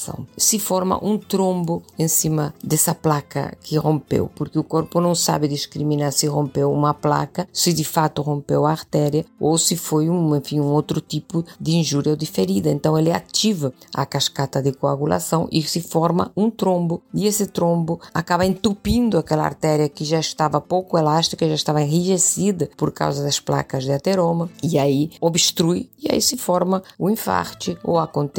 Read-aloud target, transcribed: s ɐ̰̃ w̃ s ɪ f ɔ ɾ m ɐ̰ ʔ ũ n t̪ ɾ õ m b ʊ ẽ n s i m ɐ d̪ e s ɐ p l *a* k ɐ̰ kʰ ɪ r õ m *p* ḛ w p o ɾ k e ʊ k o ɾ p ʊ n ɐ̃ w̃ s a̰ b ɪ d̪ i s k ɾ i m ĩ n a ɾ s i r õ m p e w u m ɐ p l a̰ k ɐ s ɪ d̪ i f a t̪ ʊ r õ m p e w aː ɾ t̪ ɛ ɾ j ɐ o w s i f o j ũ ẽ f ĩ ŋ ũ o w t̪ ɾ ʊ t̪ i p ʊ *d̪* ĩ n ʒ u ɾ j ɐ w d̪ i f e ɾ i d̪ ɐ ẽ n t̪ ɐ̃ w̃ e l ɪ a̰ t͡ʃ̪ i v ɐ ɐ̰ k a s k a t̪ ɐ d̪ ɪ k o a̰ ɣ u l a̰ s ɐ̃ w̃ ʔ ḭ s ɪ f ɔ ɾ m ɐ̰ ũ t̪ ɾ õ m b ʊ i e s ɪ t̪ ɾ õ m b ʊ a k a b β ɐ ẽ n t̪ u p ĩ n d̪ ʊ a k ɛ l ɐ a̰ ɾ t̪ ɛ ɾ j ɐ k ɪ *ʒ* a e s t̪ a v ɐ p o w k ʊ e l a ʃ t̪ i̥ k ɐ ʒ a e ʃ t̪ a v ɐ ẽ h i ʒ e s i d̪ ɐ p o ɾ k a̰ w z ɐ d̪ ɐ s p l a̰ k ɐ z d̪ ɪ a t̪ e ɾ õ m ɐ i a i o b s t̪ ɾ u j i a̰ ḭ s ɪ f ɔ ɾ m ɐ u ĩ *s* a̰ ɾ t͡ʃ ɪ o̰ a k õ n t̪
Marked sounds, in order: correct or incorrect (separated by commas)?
correct, correct, correct, correct, incorrect